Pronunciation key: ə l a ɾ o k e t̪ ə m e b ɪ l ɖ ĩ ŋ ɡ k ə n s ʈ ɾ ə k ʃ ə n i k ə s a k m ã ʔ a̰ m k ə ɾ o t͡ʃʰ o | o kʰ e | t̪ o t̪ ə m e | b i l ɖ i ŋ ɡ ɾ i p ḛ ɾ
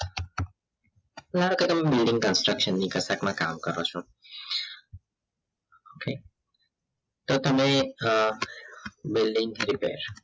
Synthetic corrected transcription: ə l a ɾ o k e t̪ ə m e b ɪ l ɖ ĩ ŋ ɡ k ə n s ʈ ɾ ə k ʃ ə nː i k ə s a k m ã k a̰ m k ə ɾ o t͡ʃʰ o | o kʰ e | t̪ o t̪ ə m e | b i l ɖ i ŋ ɡ ɾ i p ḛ ɾ